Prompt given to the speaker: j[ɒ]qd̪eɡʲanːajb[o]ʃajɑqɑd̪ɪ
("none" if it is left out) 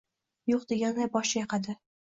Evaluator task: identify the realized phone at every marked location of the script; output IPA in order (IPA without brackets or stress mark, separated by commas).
o, ɒ